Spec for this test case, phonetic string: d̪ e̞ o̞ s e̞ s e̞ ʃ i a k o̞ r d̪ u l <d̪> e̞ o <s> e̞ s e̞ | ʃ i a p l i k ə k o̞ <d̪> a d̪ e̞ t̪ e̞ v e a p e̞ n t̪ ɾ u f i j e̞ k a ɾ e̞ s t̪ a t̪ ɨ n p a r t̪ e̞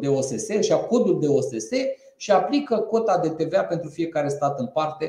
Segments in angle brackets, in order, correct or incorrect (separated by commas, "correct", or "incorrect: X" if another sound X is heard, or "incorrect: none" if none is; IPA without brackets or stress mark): correct, correct, incorrect: t̪